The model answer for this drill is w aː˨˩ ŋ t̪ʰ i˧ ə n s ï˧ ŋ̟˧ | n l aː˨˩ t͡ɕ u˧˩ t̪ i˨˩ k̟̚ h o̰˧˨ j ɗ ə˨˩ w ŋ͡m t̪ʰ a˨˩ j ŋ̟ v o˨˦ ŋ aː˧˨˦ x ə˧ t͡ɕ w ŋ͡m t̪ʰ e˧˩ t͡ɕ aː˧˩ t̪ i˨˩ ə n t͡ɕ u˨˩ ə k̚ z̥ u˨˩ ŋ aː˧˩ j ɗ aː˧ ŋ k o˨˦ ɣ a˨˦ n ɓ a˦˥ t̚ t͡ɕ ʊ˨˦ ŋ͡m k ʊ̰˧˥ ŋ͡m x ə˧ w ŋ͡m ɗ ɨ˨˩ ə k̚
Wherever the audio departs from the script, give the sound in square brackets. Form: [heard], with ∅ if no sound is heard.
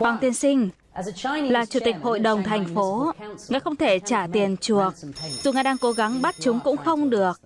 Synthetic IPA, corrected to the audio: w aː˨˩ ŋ [t̪] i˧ ə n s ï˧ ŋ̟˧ | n l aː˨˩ t͡ɕ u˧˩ t̪ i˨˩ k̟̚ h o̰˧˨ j ɗ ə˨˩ w ŋ͡m t̪ʰ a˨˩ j ŋ̟ [f] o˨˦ ŋ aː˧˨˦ x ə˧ [∅] w ŋ͡m t̪ʰ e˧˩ t͡ɕ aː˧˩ t̪ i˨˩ ə n t͡ɕ u˨˩ ə k̚ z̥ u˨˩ ŋ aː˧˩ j ɗ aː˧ ŋ k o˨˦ ɣ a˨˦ [ŋ] ɓ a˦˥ t̚ t͡ɕ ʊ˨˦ ŋ͡m k ʊ̰˧˥ ŋ͡m x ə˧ w ŋ͡m ɗ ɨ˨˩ ə k̚